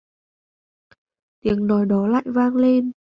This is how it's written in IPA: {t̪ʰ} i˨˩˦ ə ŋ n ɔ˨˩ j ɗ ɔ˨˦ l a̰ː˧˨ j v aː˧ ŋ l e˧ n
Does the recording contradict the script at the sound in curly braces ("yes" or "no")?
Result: yes